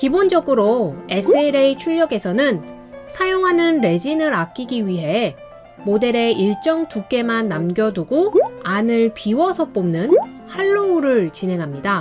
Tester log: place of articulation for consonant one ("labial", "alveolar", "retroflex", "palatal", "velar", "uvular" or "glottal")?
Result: velar